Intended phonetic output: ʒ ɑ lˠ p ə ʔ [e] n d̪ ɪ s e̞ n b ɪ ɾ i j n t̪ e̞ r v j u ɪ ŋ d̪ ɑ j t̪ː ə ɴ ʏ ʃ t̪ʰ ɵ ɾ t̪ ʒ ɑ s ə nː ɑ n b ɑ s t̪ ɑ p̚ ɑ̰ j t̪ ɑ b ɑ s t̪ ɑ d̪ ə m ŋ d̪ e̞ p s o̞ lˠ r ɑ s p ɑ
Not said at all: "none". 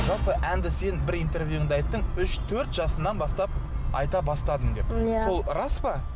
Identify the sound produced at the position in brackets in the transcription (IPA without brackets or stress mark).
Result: æ